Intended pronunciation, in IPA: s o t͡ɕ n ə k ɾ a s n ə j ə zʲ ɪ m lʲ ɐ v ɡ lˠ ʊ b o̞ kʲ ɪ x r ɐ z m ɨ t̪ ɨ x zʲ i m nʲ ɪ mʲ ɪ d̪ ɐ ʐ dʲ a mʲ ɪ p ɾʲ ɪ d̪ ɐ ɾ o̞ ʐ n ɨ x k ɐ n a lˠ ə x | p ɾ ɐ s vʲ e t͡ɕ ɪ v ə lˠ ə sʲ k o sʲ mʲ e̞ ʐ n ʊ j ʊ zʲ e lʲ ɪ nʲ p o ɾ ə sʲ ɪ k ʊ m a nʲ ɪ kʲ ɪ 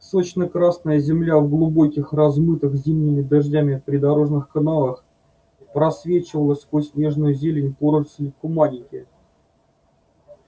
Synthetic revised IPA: s o t͡ɕ n ə k ɾ a s n ə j ə zʲ ɪ m lʲ a v ɡ lˠ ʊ b o̞ kʲ ɪ x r ɐ z m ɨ t̪ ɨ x zʲ i m nʲ ɪ mʲ ɪ d̪ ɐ ʐ dʲ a mʲ ɪ p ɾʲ ɪ d̪ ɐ ɾ o̞ ʐ n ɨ x k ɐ n a lˠ ə x | p ɾ ɐ s vʲ e t͡ɕ ɪ v ə lˠ ə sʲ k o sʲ nʲ e̞ ʐ n ʊ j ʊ zʲ e lʲ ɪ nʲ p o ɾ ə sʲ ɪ k ʊ m a nʲ ɪ kʲ ɪ

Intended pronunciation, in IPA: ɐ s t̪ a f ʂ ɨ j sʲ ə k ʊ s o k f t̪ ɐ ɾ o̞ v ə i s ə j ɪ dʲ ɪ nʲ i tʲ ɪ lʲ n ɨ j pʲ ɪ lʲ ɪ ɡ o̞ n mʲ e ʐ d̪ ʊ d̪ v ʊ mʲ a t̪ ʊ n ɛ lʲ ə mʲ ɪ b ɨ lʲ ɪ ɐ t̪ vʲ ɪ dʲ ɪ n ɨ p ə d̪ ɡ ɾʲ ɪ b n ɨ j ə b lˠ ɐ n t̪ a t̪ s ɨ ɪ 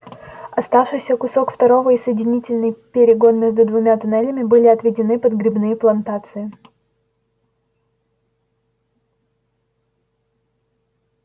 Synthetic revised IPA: ɐ s t̪ a f ʂ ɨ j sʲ ə k ʊ s o k f t̪ ɐ ɾ o̞ v ə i s ə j ɪ dʲ ɪ nʲ i tʲ ɪ lʲ n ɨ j pʲ ɪ ɾʲ ɪ ɡ o̞ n mʲ e ʐ d̪ ʊ d̪ v ʊ mʲ a t̪ ʊ n ɛ lʲ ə mʲ ɪ b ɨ lʲ ɪ ɐ t̪ vʲ ɪ dʲ ɪ n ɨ p ə d̪ ɡ ɾʲ ɪ b n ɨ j ə p lˠ ɐ n t̪ a t̪ s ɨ ɪ

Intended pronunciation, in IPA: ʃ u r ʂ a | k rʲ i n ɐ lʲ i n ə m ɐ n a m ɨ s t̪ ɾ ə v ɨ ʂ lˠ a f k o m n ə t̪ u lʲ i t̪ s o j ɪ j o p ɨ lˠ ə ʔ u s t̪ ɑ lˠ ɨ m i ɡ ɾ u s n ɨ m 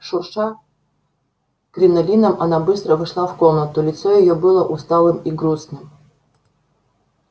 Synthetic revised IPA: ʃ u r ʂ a | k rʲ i n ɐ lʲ i n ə m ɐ n a b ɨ s t̪ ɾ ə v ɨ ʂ lˠ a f k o m n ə t̪ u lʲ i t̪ s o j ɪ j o b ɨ lˠ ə ʔ u s t̪ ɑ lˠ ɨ m i ɡ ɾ u s n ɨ m

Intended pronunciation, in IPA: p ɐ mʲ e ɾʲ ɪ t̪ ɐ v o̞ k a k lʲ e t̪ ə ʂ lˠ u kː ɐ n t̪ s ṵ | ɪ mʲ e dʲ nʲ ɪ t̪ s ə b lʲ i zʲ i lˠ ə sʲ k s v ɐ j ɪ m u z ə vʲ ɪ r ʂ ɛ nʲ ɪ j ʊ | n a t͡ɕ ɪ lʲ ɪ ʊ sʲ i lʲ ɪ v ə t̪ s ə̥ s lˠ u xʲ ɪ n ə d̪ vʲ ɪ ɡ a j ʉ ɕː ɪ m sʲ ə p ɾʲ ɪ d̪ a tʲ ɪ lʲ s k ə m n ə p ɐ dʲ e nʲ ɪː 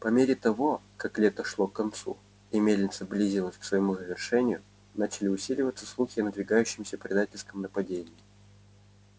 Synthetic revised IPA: p ɐ mʲ e ɾʲ ɪ t̪ ɐ v o̞ k a k lʲ e t̪ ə ʂ lˠ o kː ɐ n t̪ s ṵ | ɪ mʲ e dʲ nʲ ɪ t̪ s ə b lʲ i zʲ i lˠ ə sʲ k s v ə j ɪ m u z ə vʲ ɪ r ʂ ɛ nʲ ɪ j ʊ | n a t͡ɕ ɪ lʲ ɪ ʊ sʲ i lʲ ɪ v ə t̪ s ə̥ s lˠ u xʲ ɪ n ə d̪ vʲ ɪ ɡ a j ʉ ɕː ɪ m sʲ ə p ɾʲ ɪ d̪ a tʲ ɪ lʲ s k ə m n ə p ɐ dʲ e nʲ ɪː

